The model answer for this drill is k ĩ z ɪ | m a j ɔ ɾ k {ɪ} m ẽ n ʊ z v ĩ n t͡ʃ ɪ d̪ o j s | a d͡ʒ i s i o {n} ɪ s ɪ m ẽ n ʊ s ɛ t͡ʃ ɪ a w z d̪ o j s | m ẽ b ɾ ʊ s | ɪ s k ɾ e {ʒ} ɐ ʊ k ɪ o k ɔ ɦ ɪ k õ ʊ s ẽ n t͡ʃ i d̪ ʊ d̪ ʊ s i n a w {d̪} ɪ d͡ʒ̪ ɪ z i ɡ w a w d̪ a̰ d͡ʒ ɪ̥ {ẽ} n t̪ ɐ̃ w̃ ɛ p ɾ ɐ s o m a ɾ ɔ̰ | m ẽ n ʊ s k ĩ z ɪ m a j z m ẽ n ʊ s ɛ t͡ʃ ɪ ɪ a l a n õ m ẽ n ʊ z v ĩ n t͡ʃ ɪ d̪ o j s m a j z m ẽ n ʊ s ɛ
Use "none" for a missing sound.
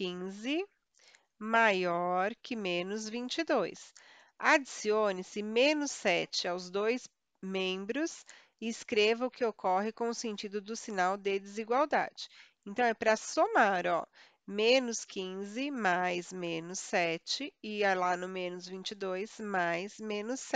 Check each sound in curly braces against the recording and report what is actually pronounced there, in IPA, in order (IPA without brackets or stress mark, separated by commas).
ɪ, n, v, d̪, ẽ